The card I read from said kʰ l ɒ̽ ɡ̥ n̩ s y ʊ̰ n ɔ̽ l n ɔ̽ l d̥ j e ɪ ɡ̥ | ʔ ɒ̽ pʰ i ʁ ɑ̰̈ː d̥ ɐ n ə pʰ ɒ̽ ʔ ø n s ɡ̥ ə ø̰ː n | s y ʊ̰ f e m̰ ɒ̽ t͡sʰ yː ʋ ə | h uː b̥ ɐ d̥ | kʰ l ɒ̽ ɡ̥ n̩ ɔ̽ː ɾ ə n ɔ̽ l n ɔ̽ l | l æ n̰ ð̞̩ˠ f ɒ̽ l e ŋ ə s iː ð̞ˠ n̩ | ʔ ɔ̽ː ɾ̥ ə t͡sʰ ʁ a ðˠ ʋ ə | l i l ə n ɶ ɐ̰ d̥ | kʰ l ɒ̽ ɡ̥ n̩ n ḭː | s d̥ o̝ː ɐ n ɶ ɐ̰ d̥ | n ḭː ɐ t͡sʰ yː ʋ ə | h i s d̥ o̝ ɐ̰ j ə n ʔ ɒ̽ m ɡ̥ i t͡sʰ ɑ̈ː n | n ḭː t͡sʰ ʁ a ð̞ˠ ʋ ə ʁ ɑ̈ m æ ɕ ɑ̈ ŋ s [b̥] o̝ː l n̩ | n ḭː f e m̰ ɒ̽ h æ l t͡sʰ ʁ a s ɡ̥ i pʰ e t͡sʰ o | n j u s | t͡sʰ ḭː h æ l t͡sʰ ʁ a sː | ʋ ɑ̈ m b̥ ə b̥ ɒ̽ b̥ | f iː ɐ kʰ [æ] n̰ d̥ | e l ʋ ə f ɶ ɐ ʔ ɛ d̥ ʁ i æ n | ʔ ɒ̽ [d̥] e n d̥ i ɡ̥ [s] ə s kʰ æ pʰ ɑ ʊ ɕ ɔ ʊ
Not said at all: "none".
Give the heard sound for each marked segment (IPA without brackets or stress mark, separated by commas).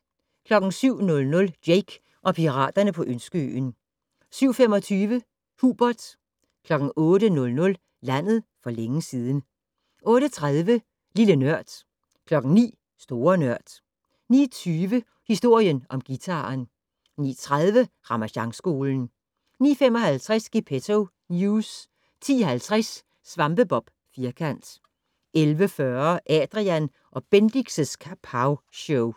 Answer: ɡ̥, æ, b̥, s